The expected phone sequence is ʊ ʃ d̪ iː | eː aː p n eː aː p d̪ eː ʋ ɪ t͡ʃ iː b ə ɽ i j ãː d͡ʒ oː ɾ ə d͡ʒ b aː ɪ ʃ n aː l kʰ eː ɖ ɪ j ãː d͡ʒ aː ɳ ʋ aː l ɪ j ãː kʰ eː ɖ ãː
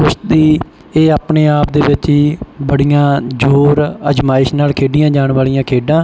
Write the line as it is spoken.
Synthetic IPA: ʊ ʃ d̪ iː | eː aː p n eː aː p d̪ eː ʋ ɪ t͡ʃ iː b ə ɽ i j ãː d͡ʒ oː ɾ ə d͡ʒ m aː ɪ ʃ n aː l kʰ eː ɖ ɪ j ãː d͡ʒ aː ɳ ʋ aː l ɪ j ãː kʰ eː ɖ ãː